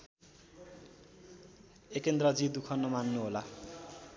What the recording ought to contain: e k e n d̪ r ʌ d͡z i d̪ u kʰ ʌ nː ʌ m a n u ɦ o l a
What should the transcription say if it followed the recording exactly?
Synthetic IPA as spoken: e k e n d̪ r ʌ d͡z i d̪ u kʰ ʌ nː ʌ m a nː u ɦ o l a

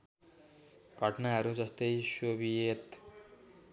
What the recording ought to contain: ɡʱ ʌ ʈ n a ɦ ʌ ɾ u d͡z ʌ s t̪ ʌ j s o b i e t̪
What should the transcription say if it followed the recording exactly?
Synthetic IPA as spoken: ɡʱ ʌ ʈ n a ɦ ʌ ɾ u d͡z ʌ s t̪ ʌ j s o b i e t̪

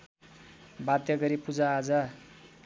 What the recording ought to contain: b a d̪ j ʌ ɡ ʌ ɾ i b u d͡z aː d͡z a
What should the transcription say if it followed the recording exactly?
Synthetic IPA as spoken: b a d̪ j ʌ ɡ ʌ ɾ i p u d͡z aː d͡z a

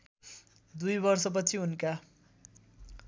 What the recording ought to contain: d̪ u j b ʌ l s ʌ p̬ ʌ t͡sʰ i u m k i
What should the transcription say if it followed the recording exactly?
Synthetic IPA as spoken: d̪ u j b ʌ r s ʌ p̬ ʌ t͡sʰ i u n k a

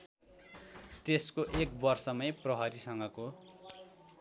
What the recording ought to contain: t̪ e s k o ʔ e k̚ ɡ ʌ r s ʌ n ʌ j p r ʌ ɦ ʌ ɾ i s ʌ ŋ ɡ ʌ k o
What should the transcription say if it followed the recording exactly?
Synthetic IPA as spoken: t̪ e s k o ʔ e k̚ b ʌ r s ʌ m ʌ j p r ʌ ɦ ʌ ɾ i s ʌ ŋ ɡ ʌ k o

